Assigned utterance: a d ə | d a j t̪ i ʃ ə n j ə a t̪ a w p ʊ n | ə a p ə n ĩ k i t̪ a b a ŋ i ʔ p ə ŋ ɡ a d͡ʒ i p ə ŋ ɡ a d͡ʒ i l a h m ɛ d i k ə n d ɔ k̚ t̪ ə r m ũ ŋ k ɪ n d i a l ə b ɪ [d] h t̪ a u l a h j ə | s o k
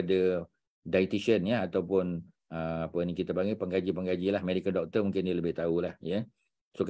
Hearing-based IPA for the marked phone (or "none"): none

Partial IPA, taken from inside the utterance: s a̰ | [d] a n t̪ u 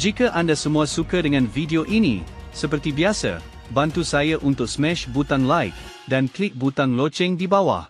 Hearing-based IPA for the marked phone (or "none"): b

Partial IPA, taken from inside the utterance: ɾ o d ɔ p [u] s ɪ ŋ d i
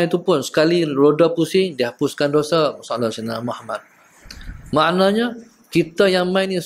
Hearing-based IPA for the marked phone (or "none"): u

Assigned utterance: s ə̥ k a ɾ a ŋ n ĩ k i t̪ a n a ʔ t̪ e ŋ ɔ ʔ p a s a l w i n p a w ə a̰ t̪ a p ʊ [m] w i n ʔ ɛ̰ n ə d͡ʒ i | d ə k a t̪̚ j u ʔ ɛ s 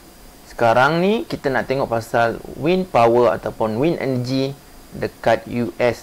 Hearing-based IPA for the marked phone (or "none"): n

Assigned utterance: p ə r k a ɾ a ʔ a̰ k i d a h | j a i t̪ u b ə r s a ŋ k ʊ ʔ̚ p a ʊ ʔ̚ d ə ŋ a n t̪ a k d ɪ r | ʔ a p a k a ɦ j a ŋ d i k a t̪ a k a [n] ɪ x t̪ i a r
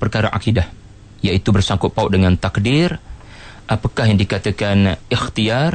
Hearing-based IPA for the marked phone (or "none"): n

